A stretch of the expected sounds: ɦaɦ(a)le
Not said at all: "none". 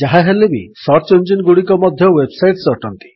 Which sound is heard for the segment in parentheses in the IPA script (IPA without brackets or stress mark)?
e